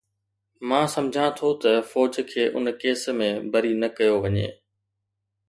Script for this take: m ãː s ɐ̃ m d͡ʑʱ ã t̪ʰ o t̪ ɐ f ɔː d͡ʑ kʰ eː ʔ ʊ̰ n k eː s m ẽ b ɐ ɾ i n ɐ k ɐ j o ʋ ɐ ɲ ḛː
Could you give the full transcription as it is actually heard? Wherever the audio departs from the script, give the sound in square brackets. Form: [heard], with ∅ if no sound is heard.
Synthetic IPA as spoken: m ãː s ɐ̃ m d͡ʑʱ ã t̪ʰ o t̪ ɐ f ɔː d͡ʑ kʰ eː ʔ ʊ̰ n k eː s m ẽ b ɐ ɾ i n ɐ k ɐ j o ʋ ɐ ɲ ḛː